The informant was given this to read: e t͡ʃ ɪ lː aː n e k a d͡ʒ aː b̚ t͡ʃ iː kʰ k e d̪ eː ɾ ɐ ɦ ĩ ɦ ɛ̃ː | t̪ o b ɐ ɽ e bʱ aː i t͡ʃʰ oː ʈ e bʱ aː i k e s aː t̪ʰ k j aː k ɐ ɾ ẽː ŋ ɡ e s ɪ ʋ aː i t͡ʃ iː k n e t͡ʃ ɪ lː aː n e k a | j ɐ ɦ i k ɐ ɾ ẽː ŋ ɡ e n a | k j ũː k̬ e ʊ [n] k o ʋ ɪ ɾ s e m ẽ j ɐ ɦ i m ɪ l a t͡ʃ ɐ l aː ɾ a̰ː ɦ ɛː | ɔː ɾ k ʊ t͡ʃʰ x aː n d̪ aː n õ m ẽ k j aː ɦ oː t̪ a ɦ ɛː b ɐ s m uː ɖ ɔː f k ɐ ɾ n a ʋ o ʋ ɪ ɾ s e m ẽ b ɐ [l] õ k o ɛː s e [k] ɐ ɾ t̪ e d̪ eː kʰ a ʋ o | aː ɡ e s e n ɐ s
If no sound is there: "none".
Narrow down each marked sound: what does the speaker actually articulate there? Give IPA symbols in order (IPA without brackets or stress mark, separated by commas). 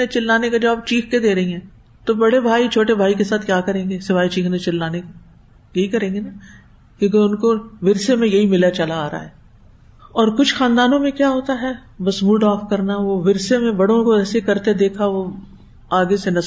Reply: n, ɽ, k